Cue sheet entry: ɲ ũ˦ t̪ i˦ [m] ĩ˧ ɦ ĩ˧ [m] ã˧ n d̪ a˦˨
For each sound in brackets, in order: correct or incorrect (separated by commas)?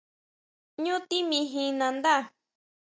correct, incorrect